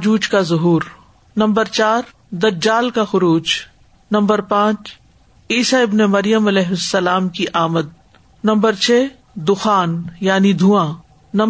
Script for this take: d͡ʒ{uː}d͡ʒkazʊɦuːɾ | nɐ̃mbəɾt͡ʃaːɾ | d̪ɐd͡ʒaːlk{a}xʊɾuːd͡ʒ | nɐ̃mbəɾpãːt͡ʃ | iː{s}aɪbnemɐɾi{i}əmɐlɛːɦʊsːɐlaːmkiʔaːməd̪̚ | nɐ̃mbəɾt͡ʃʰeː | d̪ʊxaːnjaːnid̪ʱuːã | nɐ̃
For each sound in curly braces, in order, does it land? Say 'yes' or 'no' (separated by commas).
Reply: yes, yes, yes, no